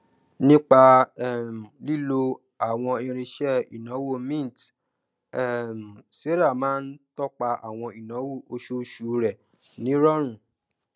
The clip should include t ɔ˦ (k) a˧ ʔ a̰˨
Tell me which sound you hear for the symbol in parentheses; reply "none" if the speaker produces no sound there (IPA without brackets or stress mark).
k͡p